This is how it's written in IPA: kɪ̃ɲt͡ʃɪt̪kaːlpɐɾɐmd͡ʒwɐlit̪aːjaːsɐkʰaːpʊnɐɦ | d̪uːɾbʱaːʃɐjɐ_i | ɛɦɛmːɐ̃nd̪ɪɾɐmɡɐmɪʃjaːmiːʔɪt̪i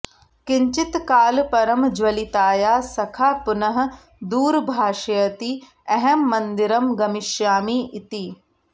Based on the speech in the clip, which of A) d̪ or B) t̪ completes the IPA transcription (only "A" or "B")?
B